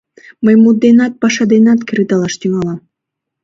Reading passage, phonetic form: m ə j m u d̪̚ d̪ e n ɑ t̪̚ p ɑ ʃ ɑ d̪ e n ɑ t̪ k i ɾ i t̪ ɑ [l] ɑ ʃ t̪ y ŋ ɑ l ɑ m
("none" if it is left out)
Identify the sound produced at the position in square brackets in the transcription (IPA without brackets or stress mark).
l